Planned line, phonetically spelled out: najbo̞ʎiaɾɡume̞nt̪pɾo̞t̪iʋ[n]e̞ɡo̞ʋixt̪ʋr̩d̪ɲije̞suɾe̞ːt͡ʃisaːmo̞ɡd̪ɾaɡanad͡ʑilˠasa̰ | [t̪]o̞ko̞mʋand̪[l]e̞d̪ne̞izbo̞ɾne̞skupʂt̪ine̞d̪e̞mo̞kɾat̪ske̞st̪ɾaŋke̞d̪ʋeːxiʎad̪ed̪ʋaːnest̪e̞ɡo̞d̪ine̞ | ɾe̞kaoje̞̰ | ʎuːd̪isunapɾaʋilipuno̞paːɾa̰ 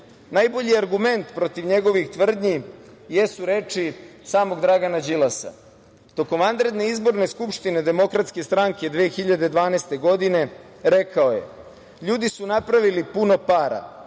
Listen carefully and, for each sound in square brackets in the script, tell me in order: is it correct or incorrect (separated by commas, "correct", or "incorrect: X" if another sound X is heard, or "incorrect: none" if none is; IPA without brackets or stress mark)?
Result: incorrect: ɲ, correct, incorrect: ɾ